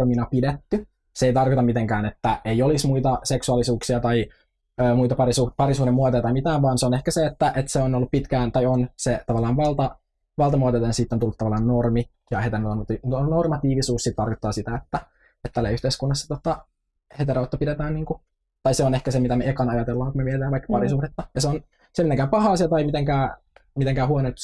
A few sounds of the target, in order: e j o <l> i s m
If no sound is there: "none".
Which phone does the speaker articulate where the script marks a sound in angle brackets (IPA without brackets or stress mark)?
l